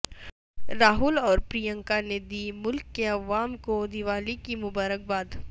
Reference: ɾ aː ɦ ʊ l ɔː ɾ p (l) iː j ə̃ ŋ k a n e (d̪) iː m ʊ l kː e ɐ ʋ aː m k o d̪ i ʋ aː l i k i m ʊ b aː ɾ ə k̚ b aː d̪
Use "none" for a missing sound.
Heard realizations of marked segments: ɾ, d̪

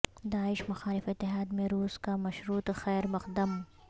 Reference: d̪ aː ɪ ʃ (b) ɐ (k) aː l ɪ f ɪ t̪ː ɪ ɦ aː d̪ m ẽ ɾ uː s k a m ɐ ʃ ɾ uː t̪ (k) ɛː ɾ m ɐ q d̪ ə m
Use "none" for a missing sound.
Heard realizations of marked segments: m, x, x

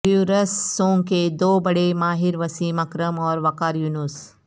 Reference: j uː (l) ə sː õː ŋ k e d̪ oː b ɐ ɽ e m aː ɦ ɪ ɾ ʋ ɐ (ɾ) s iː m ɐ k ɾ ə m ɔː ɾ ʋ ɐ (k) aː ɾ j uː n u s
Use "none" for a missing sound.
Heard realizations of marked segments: ɾ, none, k

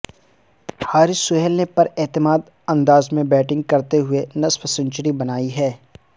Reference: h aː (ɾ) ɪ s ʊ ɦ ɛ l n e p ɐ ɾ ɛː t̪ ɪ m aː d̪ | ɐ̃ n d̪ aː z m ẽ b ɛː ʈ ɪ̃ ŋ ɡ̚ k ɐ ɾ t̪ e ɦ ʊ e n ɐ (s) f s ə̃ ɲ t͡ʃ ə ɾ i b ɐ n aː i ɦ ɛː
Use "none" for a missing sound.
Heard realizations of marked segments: ɾ, s

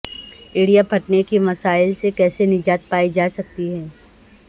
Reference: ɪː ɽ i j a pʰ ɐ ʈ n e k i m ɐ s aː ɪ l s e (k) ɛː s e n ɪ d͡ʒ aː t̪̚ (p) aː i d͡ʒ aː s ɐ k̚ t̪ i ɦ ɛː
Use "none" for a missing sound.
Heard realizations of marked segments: k, p

